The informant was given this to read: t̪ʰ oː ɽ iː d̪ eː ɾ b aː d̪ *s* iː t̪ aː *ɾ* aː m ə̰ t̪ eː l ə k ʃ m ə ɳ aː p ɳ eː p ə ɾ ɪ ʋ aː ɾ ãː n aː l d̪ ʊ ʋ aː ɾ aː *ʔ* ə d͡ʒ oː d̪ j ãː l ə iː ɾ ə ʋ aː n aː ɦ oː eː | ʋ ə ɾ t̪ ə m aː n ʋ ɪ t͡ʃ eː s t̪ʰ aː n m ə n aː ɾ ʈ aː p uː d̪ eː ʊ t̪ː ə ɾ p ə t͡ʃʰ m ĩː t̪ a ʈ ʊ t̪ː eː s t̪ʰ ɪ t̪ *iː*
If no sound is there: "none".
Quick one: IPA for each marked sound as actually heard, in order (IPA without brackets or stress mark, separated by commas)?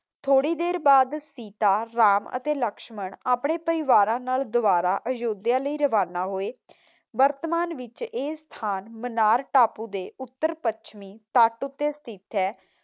s, ɾ, ʔ, ɛː